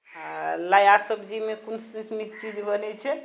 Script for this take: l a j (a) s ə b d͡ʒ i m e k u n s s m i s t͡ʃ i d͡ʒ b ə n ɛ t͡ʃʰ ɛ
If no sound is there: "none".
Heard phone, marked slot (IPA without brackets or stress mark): a